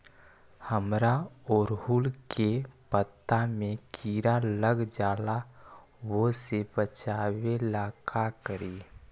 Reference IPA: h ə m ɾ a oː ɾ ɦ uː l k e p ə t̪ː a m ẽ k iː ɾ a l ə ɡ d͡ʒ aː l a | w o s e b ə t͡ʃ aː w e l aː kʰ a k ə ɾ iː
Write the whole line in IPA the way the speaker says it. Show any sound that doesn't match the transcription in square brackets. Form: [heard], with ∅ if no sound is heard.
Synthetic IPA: h ə m ɾ a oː ɾ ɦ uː l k e p ə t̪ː a m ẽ k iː ɾ a l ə ɡ d͡ʒ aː l a | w o s e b ə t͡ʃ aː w e l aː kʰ a k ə ɾ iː